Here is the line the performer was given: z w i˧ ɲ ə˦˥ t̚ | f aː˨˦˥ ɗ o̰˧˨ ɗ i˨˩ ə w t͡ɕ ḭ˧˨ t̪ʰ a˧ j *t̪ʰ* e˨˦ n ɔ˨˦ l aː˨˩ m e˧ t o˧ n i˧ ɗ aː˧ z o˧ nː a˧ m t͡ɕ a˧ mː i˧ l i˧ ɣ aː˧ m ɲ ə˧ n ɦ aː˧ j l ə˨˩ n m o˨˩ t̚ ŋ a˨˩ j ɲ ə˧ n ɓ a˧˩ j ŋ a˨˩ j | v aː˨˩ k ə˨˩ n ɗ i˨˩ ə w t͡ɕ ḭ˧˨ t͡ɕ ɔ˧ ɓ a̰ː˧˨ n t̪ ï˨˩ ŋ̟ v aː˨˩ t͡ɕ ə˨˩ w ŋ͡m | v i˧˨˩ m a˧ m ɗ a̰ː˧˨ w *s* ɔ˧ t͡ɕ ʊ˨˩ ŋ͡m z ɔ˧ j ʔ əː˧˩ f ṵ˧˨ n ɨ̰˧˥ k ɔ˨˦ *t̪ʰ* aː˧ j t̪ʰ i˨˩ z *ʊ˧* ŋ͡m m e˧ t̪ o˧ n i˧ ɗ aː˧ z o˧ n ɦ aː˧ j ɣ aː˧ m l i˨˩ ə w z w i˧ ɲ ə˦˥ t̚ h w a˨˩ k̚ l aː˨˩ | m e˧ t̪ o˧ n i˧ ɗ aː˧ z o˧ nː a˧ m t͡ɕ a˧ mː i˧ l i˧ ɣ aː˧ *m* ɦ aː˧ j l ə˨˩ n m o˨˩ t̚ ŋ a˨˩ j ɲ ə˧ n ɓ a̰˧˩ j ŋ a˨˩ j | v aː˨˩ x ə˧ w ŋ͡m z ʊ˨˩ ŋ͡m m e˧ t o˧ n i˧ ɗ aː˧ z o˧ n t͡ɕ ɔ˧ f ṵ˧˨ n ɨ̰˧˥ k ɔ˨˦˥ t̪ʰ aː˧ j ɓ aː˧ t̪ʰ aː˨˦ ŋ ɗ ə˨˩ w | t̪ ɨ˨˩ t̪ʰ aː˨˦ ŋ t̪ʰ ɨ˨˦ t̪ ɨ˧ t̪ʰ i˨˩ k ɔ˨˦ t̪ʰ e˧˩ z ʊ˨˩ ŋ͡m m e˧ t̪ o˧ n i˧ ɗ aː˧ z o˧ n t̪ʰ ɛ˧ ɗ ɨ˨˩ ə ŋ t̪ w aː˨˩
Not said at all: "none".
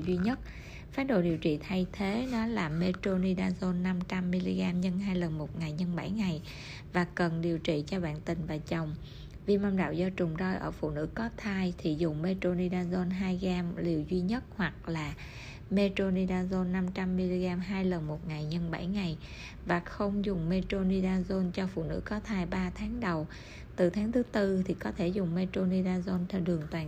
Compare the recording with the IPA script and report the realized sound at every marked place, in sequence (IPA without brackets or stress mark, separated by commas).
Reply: t̪ʰ, z, t̪ʰ, ʊ˨˩, m